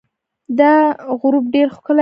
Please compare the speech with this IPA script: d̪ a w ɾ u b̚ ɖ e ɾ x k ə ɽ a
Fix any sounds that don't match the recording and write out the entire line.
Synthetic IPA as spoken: d̪ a ɣ ɾ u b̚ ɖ e ɾ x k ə l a